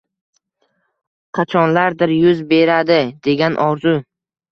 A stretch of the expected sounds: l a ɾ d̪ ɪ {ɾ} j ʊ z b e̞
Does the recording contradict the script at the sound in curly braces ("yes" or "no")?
no